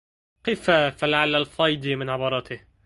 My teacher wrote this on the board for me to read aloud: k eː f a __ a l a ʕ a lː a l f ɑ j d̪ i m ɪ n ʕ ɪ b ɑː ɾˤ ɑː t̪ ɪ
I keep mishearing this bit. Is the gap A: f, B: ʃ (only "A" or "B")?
A